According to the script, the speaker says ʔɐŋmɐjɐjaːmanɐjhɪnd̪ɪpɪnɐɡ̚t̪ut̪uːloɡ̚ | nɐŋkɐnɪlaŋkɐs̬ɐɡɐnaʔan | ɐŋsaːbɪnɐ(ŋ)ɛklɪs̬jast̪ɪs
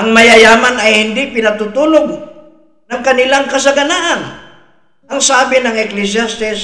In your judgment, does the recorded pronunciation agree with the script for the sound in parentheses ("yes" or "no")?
yes